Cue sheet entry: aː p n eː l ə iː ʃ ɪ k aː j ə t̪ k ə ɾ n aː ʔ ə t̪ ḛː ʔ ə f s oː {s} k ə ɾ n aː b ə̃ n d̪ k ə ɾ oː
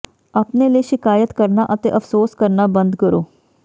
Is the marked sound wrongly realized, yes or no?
no